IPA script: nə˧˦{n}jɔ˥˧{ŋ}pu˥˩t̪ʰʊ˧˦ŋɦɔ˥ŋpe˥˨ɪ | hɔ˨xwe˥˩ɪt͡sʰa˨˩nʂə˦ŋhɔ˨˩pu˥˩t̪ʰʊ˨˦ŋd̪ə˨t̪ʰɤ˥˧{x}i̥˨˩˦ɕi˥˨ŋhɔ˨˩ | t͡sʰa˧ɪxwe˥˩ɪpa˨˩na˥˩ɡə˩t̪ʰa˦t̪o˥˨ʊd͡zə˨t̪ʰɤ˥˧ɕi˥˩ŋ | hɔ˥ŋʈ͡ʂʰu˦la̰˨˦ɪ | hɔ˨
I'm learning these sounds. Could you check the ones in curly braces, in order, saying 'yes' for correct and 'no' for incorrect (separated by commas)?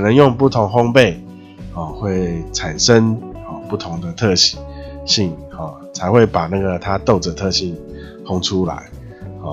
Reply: no, yes, no